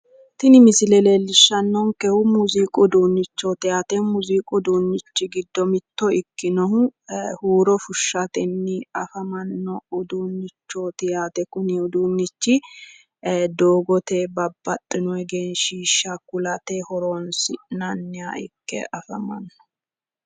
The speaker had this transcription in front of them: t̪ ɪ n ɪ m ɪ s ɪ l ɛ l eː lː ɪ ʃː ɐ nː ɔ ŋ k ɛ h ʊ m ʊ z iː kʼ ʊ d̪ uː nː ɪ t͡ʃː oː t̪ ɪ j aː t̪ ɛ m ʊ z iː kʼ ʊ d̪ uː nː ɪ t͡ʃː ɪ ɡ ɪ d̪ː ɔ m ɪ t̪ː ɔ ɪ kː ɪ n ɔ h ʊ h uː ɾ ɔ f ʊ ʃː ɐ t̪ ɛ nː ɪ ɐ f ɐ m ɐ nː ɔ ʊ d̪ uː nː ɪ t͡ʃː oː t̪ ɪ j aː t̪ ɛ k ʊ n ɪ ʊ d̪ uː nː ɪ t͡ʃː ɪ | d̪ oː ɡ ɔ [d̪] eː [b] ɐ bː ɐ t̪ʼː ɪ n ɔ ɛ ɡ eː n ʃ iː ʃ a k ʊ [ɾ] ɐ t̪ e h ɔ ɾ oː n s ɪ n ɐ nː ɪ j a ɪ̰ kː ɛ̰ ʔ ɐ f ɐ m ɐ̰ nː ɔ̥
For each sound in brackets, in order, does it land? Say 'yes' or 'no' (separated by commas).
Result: no, yes, no